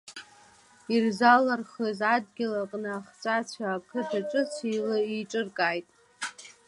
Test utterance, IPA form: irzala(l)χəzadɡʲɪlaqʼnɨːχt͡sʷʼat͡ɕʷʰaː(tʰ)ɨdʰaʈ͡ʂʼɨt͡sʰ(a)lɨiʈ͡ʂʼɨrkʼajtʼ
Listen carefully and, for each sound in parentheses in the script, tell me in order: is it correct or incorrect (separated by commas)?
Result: incorrect, incorrect, incorrect